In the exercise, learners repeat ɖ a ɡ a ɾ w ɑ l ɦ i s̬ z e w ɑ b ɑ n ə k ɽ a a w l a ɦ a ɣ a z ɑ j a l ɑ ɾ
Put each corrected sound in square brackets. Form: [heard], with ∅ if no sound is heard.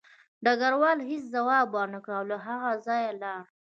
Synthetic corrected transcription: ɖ a ɡ a ɾ w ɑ l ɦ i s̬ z [a] w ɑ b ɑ n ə k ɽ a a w l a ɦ a ɣ a z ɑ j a l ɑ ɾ